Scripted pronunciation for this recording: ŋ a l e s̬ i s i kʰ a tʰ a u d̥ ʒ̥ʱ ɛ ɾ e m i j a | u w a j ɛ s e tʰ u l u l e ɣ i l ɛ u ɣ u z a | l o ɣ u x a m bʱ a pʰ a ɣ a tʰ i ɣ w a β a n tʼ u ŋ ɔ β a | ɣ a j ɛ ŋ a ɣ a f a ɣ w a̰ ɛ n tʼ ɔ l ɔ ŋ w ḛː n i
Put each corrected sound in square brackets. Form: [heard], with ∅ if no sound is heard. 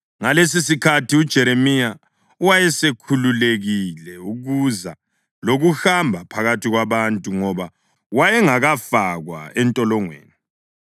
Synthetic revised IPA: ŋ a l e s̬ i s i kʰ a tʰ [i] u d̥ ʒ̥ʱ ɛ ɾ e m i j a | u w a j ɛ s e [kʰ] u l u l e ɣ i l ɛ u ɣ u z a | l o ɣ u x a m bʱ a pʰ a ɣ a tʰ i ɣ w a β a n tʼ u ŋ ɔ β a | [w] a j ɛ ŋ a ɣ a f a ɣ w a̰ ɛ n tʼ ɔ l ɔ ŋ w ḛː n i